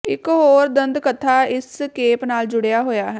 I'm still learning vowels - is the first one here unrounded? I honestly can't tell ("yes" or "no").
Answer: yes